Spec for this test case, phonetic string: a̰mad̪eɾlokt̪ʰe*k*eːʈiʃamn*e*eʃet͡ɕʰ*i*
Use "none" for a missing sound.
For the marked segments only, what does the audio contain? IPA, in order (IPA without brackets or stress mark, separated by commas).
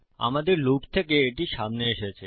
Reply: k, e, e